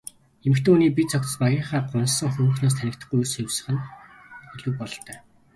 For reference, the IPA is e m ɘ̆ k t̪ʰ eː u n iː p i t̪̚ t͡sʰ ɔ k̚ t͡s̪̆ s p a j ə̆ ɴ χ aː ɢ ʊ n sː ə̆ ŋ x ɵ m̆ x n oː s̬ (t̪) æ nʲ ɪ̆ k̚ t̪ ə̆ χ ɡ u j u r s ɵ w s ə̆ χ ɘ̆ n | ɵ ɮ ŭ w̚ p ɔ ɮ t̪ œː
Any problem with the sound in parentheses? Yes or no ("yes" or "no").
yes